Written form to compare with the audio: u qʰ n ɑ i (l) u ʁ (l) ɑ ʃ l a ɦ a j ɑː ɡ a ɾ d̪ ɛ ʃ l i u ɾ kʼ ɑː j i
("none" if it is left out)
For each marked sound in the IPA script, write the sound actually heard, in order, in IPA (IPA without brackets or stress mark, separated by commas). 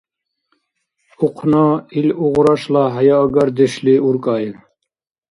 l, ɾ